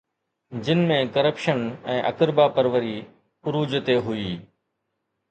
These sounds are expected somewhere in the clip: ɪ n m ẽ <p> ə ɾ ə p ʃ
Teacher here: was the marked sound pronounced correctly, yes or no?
no